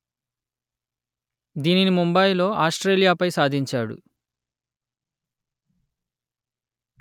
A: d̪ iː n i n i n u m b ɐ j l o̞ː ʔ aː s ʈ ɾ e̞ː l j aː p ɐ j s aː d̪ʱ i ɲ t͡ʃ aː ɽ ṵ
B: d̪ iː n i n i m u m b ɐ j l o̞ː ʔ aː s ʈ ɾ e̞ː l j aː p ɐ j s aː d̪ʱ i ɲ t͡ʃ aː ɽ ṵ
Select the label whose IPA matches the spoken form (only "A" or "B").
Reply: B